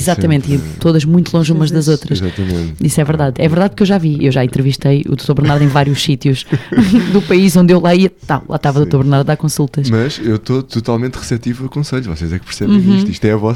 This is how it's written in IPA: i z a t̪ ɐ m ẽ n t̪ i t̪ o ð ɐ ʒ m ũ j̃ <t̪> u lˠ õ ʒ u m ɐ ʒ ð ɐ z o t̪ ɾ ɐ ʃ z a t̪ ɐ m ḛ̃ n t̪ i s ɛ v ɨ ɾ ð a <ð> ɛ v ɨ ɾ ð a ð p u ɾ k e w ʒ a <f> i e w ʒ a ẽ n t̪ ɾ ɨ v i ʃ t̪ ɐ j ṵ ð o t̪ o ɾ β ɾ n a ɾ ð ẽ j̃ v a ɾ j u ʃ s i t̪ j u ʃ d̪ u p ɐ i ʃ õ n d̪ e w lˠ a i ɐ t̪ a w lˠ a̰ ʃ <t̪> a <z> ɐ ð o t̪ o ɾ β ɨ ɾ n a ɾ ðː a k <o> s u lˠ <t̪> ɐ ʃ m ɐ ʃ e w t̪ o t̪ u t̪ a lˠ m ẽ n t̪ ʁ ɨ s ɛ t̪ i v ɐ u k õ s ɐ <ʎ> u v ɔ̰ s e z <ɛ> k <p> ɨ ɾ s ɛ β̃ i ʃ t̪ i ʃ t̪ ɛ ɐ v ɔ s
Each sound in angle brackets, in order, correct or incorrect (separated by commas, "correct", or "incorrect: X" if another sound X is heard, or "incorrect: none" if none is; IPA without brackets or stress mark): correct, correct, incorrect: v, correct, incorrect: v, incorrect: õ, correct, correct, correct, correct